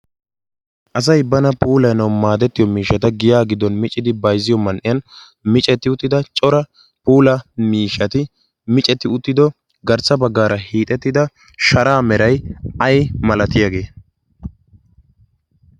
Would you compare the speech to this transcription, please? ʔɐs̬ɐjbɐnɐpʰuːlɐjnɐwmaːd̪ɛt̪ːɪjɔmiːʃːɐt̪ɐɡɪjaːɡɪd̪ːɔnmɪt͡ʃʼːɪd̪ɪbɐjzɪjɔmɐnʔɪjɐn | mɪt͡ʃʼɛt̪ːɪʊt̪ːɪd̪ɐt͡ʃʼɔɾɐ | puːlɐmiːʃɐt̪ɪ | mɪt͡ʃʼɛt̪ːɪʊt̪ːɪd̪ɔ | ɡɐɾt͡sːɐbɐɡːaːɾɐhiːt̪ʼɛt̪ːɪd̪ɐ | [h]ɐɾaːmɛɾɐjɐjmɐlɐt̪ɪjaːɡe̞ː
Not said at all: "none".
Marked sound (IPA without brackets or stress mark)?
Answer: ʃ